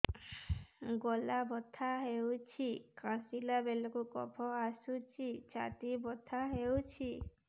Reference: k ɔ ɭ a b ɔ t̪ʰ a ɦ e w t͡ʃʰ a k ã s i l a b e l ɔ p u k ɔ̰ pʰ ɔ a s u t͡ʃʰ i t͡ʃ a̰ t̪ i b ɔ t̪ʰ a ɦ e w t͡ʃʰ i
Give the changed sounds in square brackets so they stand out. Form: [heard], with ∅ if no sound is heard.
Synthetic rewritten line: [ɡ] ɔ [l] a b ɔ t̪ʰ a ɦ e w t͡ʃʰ [i] k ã s i l a b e l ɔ [k] u k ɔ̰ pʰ ɔ a s u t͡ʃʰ i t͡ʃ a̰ t̪ i b ɔ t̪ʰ a ɦ e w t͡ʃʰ i

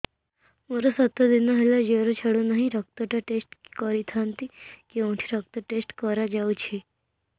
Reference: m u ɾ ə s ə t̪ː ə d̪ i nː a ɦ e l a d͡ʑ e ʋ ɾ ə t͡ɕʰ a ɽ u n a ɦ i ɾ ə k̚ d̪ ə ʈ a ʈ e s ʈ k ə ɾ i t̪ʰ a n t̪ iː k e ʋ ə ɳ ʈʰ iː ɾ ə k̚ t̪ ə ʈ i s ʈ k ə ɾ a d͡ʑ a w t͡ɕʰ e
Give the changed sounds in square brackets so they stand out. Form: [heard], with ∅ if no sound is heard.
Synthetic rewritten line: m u ɾ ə s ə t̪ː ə d̪ i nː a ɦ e l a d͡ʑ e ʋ ɾ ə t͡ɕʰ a ɽ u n a ɦ i ɾ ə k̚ [t̪] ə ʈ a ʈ e s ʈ k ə ɾ i t̪ʰ a n t̪ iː k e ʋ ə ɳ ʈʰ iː ɾ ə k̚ t̪ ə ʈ [e] s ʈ k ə ɾ a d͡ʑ a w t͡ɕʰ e

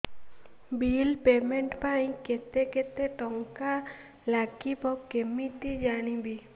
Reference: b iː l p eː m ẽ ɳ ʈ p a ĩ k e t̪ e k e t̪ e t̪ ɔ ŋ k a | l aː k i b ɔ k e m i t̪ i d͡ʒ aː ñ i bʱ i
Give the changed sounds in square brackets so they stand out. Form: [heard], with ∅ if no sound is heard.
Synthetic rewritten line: b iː l p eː m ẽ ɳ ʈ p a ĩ k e t̪ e k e t̪ e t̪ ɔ ŋ k a | l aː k i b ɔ k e m i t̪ i d͡ʒ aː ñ i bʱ i

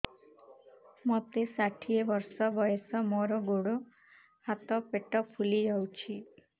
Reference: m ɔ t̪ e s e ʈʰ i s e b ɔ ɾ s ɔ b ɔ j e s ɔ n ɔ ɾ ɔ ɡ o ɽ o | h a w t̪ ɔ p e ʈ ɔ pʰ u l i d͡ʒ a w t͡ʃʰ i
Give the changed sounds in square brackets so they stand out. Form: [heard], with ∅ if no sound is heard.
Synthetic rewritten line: m ɔ t̪ e s [a] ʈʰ i [∅] e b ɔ ɾ s ɔ b ɔ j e s ɔ [m] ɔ ɾ ɔ ɡ o ɽ o | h a [∅] t̪ ɔ p e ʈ ɔ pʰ u l i d͡ʒ a w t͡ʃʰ i

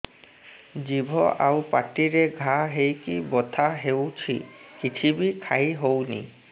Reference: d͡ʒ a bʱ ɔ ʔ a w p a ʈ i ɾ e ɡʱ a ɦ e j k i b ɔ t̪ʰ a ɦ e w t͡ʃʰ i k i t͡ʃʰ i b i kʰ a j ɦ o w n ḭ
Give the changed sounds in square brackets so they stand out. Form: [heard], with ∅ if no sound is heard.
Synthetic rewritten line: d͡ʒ [i] bʱ ɔ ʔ a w p a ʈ i ɾ e ɡʱ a ɦ e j k i b ɔ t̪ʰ a ɦ e w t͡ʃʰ i k i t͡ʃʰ i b i kʰ a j ɦ o w n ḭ

